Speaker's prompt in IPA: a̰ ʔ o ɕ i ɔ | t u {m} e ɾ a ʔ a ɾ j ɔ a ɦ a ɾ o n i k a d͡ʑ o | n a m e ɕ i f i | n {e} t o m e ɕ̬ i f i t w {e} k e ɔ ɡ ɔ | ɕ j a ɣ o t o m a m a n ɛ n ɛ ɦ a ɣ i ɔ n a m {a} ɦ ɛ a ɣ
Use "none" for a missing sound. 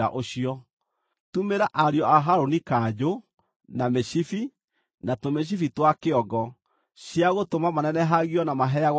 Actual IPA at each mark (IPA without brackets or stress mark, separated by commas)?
m, a, a, a